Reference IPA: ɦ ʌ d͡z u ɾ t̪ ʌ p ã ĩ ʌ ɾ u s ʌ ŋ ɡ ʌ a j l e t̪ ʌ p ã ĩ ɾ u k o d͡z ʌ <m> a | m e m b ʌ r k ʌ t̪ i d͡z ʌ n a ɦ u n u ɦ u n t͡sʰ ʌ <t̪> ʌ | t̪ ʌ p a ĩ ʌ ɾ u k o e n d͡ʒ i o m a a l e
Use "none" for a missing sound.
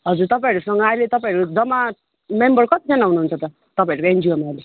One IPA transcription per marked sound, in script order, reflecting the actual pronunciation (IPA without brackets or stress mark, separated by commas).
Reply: m, t̪